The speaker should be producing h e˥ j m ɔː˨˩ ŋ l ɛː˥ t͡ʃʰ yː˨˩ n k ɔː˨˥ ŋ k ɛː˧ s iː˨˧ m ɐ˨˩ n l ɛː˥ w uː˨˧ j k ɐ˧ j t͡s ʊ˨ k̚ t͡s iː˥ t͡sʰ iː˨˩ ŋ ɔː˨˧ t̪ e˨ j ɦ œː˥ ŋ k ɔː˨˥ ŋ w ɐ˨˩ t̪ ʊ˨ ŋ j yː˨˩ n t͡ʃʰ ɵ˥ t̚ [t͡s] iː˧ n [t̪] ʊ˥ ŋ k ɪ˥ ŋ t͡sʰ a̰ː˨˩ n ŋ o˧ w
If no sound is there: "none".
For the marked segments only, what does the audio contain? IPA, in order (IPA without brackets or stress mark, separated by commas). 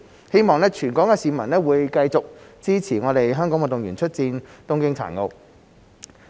t͡s, t̪